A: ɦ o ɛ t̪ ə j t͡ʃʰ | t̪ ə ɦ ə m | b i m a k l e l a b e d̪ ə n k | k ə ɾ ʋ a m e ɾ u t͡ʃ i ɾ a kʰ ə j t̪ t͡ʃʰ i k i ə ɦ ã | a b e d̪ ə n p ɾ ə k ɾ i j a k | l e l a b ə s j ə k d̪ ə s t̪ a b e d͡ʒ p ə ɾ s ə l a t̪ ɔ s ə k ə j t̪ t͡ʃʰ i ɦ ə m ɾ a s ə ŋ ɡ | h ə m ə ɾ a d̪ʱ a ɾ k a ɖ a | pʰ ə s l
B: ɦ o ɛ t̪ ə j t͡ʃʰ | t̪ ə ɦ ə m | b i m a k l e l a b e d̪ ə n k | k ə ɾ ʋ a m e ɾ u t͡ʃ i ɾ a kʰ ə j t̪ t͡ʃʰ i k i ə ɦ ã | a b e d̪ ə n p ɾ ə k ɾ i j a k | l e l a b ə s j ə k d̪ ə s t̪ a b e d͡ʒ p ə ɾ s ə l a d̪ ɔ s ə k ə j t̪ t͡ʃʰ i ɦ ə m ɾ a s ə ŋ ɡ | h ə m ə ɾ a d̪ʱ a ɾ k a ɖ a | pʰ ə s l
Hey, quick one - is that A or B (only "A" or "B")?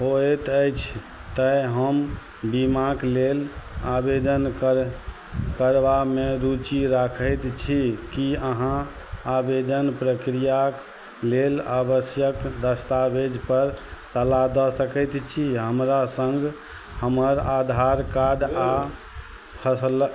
B